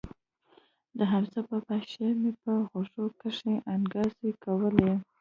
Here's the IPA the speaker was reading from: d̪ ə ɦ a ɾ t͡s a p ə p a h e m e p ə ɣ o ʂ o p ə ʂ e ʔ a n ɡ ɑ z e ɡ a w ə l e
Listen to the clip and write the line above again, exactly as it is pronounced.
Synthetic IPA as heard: d̪ ə ɦ a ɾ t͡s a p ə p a ʃ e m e p ə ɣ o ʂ o k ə ʂ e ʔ a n ɡ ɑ z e k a w ə l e

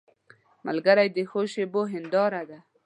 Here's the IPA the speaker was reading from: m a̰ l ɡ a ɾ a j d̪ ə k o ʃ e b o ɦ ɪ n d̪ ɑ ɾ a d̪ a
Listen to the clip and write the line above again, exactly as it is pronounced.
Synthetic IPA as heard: m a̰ l ɡ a ɾ a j d̪ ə x o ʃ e b o ɦ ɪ n d̪ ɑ ɾ a d̪ a

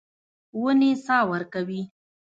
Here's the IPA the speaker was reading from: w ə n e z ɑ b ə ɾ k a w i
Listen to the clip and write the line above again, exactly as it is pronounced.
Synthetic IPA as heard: w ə n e s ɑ w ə ɾ k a w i

